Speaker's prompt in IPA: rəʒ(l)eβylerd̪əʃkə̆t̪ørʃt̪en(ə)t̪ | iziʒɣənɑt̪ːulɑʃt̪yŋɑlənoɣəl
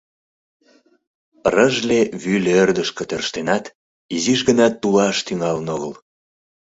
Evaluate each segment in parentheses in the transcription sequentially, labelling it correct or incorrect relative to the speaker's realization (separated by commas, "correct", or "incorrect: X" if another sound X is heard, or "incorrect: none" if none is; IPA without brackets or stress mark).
correct, incorrect: ɑ